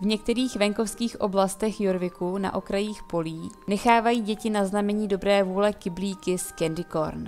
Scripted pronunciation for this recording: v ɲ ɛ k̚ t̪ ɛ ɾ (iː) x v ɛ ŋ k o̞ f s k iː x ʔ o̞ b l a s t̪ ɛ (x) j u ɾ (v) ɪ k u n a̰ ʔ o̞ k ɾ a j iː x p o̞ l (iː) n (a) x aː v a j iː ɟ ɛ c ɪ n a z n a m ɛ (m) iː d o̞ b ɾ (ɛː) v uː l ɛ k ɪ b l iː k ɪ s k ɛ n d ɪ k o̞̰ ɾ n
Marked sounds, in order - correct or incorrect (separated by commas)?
correct, correct, correct, correct, incorrect, incorrect, correct